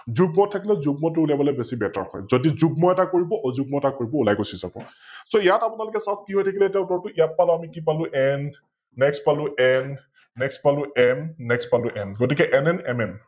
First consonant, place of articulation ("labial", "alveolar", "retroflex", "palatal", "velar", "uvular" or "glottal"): alveolar